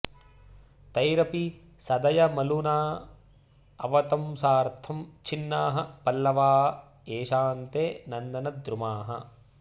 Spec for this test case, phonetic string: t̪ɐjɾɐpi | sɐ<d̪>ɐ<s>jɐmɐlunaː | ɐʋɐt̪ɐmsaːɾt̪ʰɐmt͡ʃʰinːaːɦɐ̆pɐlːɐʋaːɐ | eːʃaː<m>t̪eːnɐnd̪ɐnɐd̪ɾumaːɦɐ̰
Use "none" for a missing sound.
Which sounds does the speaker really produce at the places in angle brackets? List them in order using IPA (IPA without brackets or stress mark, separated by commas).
d̪, none, n